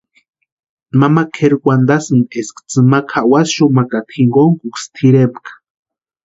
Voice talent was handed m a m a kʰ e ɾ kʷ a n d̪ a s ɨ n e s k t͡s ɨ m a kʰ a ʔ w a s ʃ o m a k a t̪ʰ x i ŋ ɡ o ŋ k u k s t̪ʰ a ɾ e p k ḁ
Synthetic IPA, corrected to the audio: m a m a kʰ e ɾ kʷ a n d̪ a s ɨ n e s k t͡s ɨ m a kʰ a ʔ w a s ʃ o m a k a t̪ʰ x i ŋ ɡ o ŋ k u k s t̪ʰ i ɾ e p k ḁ

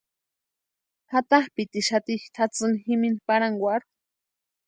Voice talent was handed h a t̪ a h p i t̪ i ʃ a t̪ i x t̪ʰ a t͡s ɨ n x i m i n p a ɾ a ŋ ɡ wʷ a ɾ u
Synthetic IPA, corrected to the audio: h a t̪ a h p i t̪ i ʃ a t̪ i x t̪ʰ a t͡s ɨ n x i m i n p a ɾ a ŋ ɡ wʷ a ɾ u

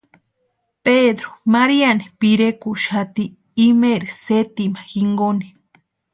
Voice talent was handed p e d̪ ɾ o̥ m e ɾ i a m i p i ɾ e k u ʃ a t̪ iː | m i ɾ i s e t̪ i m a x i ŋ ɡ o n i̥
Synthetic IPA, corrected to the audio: p e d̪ ɾ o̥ m a ɾ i a n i p i ɾ e k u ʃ a t̪ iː | m e ɾ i s e t̪ i m a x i ŋ ɡ o n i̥

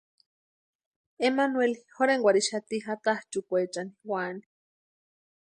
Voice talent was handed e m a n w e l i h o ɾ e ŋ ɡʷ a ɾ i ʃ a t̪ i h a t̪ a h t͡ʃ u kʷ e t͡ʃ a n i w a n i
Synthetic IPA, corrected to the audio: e m a n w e l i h o ɾ e ŋ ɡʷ a ɾ i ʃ a t̪ i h a t̪ a h t͡ʃ u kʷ e t͡ʃ a n i w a n i

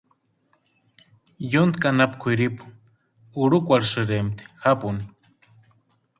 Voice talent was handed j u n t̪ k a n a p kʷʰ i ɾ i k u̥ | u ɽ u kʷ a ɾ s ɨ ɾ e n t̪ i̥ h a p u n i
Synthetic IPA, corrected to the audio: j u n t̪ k a n a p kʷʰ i ɾ i p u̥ | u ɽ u kʷ a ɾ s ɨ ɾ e m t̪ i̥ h a p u n i

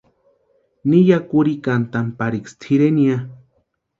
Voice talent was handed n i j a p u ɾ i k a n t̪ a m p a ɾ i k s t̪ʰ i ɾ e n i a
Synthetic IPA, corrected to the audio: n i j a k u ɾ i k a n t̪ a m p a ɾ i k s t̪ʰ i ɾ e n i a

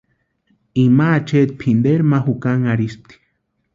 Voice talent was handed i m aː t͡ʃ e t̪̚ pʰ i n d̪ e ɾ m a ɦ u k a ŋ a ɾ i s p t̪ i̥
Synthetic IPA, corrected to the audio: i m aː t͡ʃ e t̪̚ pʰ i n d̪ e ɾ m a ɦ u k a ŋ a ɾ i s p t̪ i̥

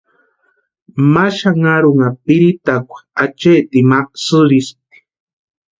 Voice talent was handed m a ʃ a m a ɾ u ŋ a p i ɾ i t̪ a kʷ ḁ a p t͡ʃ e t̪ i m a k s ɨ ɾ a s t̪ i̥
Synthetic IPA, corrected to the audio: m a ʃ a ŋ a ɾ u ŋ a p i ɾ i t̪ a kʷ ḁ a t͡ʃ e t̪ i m a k s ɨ ɾ i s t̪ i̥

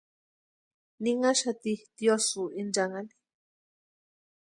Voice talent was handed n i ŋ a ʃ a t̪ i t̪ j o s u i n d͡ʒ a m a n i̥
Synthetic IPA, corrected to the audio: n i ŋ a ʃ a t̪ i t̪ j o s u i n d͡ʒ a ŋ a n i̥

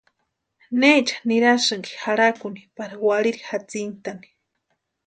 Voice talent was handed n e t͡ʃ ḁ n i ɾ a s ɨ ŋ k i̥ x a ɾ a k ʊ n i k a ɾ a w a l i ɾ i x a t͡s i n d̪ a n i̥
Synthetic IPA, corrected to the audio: n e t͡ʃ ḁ n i ɾ a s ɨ ŋ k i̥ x a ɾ a k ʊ n i p a ɾ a w a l i ɾ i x a t͡s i n t̪ a n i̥

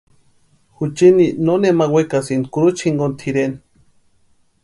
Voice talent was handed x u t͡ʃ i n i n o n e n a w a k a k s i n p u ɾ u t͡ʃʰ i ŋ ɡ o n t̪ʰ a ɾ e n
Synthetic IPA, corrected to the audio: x u t͡ʃ i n i n o n e m a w e k a s i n k u ɾ u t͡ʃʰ i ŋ ɡ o n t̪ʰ i ɾ e n

